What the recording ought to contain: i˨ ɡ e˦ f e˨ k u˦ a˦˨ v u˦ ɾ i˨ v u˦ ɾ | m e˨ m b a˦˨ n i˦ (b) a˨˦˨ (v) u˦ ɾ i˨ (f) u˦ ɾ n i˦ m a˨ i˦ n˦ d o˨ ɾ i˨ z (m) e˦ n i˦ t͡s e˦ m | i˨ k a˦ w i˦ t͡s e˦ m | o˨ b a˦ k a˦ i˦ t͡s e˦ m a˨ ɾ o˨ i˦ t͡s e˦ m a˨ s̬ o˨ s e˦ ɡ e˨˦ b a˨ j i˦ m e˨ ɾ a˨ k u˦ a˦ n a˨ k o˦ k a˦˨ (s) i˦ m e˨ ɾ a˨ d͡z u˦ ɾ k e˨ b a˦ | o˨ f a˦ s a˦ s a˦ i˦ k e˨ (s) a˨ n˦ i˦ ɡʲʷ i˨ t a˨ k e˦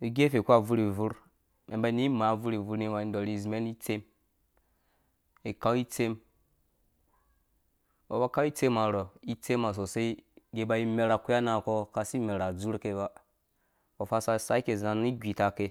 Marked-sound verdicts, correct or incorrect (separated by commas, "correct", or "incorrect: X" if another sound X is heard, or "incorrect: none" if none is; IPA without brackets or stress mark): incorrect: m, correct, incorrect: v, correct, correct, incorrect: z